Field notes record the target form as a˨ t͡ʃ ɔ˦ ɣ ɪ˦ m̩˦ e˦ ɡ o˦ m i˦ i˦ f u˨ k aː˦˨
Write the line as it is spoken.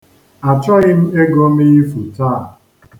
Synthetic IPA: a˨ t͡ʃ ɔ˦ ɣ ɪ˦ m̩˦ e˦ ɡ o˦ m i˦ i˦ f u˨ t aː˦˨